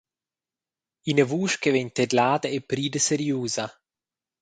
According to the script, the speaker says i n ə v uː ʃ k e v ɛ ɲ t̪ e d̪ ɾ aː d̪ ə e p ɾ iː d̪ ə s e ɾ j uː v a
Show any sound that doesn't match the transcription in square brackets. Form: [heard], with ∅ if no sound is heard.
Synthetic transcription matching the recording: i n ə v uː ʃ k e v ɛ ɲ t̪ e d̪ [l] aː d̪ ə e p ɾ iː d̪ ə s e ɾ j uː [z] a